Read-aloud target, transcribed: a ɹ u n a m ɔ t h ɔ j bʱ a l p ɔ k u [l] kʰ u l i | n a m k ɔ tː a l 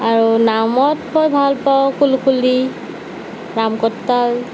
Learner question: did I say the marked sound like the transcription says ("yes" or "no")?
yes